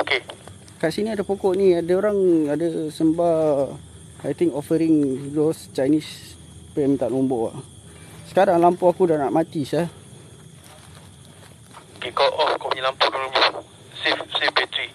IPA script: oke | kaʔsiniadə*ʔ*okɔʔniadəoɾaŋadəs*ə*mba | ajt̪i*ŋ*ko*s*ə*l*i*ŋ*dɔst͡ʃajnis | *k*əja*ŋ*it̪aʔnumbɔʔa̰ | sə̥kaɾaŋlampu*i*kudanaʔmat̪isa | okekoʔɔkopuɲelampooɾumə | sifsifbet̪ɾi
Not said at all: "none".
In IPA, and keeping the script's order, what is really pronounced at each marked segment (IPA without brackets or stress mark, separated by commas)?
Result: p, ə, ŋ, f, ɾ, ŋ, p, m, a